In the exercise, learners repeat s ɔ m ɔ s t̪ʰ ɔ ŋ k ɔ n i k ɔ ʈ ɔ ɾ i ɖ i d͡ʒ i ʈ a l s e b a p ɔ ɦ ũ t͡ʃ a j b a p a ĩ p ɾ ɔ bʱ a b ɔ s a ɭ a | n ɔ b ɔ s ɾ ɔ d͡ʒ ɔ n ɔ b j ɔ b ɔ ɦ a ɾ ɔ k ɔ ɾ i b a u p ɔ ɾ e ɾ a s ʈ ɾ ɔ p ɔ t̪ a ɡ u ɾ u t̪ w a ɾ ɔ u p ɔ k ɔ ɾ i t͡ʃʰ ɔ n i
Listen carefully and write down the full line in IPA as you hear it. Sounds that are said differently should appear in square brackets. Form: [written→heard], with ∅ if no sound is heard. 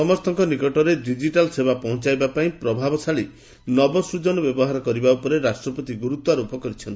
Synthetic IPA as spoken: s ɔ m ɔ s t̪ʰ ɔ ŋ k ɔ n i k ɔ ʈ ɔ ɾ [i→e] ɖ i d͡ʒ i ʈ a l s e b a p ɔ ɦ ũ t͡ʃ a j b a p a ĩ p ɾ ɔ bʱ a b ɔ s a ɭ [a→i] | n ɔ b ɔ s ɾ [ɔ→u] d͡ʒ ɔ n ɔ b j ɔ b ɔ ɦ a ɾ ɔ k ɔ ɾ i b a u p ɔ ɾ e ɾ a s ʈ ɾ ɔ p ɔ t̪ [a→i] ɡ u ɾ u t̪ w a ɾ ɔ u p ɔ k ɔ ɾ i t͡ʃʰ ɔ n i

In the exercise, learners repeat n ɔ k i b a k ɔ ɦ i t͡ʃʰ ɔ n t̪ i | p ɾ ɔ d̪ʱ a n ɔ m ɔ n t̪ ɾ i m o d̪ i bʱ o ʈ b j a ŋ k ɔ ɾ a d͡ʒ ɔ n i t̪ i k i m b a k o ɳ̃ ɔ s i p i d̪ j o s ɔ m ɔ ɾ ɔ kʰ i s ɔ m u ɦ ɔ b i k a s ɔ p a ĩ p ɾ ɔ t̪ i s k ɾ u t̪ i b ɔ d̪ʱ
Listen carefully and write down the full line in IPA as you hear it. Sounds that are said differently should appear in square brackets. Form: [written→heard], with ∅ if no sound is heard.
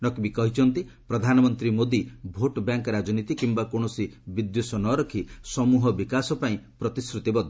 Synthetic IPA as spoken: n ɔ k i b [a→i] k ɔ ɦ i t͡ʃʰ ɔ n t̪ i | p ɾ ɔ d̪ʱ a n ɔ m ɔ n t̪ ɾ i m o d̪ i bʱ o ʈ b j a ŋ k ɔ ɾ a d͡ʒ ɔ n i t̪ i k i m b a k o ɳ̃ ɔ s i [p→b] i d̪ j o s ɔ [m→n] ɔ ɾ ɔ kʰ i s ɔ m u ɦ ɔ b i k a s ɔ p a ĩ p ɾ ɔ t̪ i s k ɾ u t̪ i b ɔ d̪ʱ

